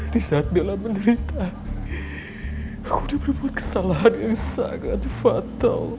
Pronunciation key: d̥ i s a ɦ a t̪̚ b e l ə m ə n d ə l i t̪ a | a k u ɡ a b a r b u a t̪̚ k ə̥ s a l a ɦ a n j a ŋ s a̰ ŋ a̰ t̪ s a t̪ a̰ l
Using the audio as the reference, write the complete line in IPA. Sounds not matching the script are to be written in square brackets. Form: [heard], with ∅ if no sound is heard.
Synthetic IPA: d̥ i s a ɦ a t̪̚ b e l [a] m ə n d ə [ɾ] i t̪ a | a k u [d] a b [ə] r b u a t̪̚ k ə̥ s a l a ɦ a n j a ŋ s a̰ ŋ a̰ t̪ [f] a t̪ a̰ l